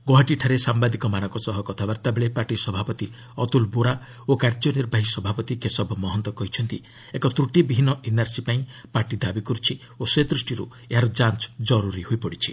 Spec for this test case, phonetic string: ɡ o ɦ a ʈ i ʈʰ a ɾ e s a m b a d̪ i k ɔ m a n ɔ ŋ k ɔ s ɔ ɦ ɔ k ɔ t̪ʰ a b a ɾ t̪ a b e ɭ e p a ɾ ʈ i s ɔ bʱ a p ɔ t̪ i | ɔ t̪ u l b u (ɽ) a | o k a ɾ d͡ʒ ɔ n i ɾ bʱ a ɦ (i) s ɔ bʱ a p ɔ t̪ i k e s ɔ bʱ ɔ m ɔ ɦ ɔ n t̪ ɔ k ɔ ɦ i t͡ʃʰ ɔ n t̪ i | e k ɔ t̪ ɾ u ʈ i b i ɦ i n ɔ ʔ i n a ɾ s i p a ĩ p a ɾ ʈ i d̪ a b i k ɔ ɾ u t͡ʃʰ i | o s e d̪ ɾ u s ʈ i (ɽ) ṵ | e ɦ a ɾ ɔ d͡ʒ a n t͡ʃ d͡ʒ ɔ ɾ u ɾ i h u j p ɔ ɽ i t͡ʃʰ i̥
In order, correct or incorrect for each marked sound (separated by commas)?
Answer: incorrect, correct, incorrect